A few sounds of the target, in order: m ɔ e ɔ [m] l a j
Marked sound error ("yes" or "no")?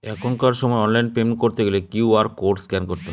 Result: yes